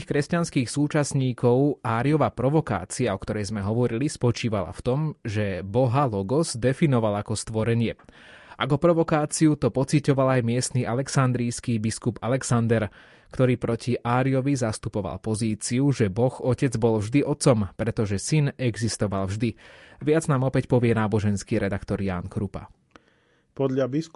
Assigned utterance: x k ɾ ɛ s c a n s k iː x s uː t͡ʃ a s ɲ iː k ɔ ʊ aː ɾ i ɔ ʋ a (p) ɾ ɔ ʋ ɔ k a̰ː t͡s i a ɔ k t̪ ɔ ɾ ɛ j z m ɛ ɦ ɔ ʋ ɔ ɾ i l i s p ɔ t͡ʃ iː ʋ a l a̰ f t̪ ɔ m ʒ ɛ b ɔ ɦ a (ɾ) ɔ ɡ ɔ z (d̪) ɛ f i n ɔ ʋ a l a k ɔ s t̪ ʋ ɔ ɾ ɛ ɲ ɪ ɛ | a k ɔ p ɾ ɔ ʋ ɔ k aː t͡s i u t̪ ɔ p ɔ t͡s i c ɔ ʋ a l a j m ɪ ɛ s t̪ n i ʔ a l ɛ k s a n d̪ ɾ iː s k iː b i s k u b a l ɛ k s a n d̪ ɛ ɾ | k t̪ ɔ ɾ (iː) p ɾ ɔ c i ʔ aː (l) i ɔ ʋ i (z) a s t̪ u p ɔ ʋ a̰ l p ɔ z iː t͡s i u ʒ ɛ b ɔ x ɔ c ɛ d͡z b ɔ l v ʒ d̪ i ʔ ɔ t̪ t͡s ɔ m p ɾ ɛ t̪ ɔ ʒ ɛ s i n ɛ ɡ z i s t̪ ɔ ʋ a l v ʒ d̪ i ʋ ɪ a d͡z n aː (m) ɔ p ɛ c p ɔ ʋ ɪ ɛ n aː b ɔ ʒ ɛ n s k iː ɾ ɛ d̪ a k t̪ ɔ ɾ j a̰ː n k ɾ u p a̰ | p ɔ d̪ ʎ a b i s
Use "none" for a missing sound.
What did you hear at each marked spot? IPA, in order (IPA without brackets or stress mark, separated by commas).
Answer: p, l, d̪, iː, ɾ, z, m